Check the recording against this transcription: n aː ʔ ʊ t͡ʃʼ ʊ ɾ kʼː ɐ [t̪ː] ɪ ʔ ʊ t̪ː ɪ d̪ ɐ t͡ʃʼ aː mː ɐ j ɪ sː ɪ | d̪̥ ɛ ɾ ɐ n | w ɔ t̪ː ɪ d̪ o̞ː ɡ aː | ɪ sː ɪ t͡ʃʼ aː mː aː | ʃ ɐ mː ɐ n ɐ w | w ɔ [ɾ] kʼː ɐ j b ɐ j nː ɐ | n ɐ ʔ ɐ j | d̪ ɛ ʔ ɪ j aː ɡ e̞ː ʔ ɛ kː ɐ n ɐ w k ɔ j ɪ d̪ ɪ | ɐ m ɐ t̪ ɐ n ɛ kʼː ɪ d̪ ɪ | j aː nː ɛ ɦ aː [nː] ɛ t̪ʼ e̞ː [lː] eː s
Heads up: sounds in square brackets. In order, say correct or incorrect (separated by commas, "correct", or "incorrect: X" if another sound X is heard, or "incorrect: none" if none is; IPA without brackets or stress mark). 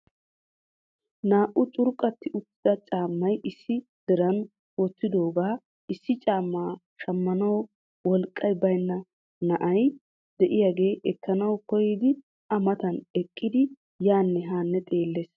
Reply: correct, incorrect: l, correct, correct